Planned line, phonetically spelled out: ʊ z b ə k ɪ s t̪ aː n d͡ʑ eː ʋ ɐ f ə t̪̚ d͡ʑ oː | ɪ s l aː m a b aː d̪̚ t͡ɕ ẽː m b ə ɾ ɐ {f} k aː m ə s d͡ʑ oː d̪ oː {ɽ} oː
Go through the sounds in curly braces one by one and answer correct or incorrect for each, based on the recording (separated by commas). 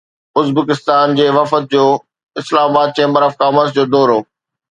correct, incorrect